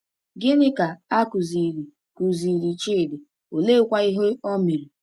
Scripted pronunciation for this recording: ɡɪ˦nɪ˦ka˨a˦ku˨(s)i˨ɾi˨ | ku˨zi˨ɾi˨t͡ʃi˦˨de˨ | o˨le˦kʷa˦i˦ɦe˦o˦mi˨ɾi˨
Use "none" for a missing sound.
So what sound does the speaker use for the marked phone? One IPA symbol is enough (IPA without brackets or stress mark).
z